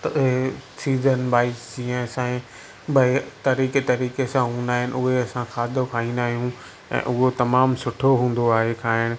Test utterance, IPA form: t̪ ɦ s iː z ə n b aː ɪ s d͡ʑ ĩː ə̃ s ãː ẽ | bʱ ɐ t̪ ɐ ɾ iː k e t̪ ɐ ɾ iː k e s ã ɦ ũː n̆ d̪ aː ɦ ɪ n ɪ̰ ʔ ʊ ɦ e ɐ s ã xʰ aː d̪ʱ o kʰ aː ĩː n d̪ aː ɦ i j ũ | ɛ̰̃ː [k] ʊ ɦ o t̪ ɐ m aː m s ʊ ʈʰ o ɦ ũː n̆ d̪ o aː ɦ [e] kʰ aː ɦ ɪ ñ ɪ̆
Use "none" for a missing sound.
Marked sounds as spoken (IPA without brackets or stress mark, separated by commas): ʔ, e